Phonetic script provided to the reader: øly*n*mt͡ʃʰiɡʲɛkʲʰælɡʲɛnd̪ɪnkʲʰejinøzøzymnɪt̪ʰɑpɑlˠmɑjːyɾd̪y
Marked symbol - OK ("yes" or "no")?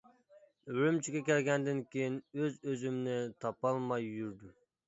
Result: no